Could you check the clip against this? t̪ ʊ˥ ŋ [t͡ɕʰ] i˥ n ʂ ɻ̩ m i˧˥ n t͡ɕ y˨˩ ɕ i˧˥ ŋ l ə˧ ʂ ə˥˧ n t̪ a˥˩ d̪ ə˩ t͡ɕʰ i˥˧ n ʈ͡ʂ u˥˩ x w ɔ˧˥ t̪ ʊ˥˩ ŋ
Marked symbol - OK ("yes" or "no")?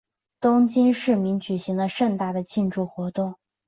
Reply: no